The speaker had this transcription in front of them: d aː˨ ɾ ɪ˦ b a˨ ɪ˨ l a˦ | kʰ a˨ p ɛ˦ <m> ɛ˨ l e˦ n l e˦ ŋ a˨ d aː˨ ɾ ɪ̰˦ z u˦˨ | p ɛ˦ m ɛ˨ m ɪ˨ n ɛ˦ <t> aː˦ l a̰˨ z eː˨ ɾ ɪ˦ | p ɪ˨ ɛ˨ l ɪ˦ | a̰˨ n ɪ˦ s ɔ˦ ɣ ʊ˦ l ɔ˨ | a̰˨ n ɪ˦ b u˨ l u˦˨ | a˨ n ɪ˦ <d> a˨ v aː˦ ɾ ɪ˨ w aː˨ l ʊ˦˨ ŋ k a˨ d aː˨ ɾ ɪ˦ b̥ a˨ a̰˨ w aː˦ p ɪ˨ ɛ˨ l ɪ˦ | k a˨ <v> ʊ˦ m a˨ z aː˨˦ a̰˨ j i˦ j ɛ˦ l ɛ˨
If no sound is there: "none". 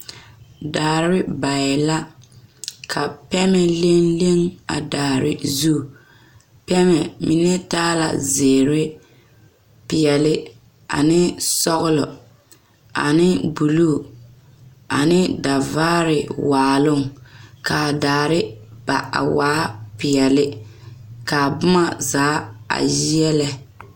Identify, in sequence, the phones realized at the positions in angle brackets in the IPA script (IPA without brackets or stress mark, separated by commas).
m, t, d, b